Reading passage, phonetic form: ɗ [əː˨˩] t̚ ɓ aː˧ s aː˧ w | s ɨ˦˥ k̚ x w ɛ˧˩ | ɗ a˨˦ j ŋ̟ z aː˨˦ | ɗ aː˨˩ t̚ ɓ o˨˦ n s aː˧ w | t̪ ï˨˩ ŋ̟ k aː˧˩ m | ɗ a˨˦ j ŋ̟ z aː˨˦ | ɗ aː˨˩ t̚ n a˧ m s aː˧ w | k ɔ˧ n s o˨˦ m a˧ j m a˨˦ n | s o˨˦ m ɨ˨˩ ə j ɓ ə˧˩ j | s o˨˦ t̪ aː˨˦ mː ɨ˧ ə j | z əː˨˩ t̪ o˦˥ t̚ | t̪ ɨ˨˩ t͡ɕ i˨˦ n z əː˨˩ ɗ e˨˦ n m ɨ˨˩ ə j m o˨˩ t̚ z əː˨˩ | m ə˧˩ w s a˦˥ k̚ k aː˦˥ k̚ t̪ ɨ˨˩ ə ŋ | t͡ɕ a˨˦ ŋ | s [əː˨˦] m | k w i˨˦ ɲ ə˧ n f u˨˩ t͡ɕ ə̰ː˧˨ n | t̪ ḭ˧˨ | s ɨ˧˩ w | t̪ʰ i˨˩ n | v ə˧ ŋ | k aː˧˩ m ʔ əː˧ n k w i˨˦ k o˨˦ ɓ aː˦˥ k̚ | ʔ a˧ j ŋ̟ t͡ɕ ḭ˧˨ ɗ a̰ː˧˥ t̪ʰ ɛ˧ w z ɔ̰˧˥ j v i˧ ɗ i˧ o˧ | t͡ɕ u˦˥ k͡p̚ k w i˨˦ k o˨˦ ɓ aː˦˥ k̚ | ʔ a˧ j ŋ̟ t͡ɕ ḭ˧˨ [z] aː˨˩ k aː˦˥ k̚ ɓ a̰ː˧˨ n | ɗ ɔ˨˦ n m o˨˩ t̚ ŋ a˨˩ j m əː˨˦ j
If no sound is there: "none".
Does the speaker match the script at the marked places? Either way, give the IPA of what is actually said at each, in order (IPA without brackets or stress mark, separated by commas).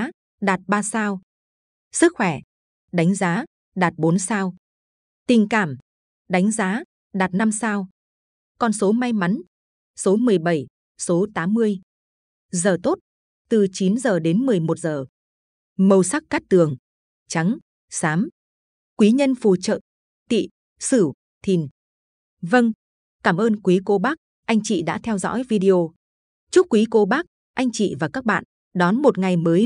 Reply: aː˨˩, aː˨˦, v